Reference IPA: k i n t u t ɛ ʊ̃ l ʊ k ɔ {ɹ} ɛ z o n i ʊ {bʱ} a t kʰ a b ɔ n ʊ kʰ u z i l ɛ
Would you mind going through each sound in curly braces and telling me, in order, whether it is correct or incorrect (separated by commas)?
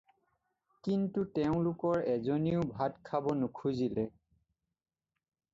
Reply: correct, correct